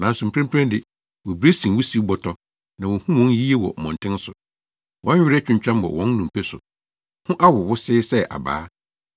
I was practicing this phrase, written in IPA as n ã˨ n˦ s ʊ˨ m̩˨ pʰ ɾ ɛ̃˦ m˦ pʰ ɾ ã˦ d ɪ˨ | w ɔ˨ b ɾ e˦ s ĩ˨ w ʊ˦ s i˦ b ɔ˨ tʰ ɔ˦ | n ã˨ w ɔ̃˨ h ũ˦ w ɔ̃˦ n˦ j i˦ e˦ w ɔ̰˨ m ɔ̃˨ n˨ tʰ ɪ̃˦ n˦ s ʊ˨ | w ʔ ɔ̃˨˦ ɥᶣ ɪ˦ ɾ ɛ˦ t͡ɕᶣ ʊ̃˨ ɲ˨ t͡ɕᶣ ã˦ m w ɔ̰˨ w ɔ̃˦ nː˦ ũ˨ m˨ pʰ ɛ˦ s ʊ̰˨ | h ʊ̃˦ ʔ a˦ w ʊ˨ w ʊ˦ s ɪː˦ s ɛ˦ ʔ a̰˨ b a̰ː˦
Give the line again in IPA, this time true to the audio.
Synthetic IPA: n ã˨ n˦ s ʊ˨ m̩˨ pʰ ɾ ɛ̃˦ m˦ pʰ ɾ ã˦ d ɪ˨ | w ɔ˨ b ɾ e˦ s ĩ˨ w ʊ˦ s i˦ b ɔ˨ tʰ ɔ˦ | n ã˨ w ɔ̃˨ h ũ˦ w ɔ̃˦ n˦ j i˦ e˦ w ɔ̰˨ m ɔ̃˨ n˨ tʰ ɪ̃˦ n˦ s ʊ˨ | w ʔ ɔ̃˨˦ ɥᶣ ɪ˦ ɾ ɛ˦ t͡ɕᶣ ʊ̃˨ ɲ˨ t͡ɕᶣ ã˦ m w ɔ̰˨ w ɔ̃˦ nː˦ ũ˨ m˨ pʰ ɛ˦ s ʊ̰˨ | h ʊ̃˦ ʔ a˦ w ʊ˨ w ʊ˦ s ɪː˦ s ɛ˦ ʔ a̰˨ b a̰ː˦